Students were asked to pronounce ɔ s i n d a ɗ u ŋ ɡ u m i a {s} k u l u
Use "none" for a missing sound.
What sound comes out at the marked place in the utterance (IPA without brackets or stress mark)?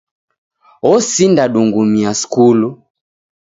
s